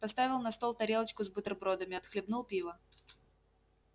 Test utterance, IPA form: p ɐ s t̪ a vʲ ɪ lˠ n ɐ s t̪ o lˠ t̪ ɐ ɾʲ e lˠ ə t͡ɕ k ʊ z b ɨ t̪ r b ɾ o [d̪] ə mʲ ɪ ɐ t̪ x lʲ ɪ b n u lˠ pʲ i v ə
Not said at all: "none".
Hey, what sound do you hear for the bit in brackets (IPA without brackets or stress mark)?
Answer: d̪